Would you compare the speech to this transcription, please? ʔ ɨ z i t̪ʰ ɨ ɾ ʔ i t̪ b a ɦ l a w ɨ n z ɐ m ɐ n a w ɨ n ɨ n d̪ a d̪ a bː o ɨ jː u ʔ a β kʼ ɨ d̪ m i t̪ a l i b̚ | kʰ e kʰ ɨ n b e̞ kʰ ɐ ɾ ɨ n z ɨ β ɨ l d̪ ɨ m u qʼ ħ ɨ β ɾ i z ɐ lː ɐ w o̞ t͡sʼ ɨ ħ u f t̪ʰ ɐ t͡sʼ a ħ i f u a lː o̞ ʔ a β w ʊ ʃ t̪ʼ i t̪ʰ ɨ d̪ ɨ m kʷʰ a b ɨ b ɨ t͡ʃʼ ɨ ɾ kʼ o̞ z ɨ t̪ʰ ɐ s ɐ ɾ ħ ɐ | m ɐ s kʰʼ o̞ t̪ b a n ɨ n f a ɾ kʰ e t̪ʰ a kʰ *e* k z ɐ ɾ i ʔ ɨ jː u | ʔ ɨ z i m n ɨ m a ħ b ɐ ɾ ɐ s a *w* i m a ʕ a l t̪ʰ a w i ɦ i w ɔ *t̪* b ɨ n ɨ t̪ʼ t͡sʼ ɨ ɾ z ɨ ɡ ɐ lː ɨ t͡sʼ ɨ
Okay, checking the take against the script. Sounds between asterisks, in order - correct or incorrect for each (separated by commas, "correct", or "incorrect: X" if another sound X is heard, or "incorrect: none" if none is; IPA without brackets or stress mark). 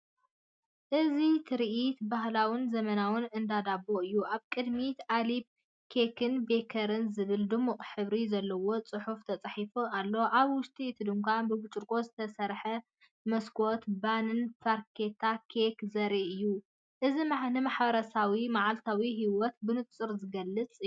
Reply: correct, correct, correct